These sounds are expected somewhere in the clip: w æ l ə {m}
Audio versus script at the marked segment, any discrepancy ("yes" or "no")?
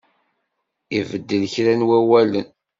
yes